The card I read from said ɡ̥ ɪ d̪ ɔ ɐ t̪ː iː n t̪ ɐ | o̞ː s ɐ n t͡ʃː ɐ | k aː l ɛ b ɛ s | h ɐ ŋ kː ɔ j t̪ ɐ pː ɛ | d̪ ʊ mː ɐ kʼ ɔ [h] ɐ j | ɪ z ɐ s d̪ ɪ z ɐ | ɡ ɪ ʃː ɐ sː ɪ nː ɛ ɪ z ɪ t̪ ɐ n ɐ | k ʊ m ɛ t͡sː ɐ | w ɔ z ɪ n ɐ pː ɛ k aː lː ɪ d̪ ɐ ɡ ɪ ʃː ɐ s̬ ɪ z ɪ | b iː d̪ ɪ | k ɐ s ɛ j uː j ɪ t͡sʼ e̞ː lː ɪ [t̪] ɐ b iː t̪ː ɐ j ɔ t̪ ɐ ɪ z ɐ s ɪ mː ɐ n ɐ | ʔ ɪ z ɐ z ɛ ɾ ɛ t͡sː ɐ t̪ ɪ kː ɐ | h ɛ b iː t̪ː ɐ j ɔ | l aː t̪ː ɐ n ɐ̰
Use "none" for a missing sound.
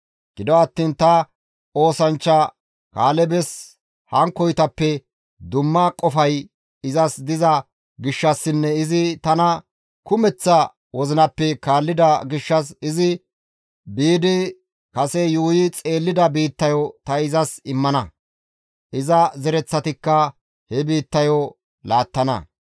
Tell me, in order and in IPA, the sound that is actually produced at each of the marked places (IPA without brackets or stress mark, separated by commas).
f, d̪